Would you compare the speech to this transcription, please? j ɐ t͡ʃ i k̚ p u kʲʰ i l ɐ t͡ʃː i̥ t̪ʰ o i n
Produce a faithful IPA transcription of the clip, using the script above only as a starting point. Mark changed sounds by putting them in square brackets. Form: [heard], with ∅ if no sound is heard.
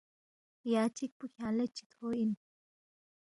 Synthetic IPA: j [a] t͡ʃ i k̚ p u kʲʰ [a] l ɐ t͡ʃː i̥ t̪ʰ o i n